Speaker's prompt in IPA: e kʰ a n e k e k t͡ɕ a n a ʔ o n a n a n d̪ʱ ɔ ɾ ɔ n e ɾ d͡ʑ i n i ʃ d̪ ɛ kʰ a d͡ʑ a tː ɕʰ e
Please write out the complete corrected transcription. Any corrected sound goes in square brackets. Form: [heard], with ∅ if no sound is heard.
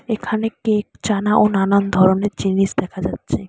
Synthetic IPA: e kʰ a n e k e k t͡ɕ a n a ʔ o n a n a n d̪ʱ ɔ ɾ [o] n e ɾ d͡ʑ i n i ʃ d̪ ɛ kʰ a d͡ʑ a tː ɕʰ e

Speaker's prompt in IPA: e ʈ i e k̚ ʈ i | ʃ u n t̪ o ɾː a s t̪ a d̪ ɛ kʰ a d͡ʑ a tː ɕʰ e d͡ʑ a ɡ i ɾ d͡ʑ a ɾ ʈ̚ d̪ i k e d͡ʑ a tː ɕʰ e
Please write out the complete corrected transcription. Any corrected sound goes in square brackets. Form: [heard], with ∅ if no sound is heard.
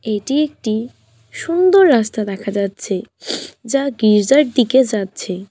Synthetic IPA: e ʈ i e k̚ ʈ i | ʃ u n [d̪] o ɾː a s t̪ a d̪ ɛ kʰ a d͡ʑ a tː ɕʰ e d͡ʑ a ɡ i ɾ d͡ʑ a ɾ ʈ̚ d̪ i k e d͡ʑ a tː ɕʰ e

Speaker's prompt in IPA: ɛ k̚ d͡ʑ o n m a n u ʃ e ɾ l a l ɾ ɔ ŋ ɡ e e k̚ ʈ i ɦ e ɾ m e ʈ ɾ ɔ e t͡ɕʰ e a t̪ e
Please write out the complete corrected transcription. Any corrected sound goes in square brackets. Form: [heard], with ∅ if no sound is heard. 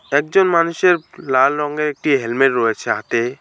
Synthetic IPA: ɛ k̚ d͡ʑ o n m a n u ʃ e ɾ l a l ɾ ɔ ŋ ɡ e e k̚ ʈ i ɦ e [l] m e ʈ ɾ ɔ e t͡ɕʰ e a t̪ e

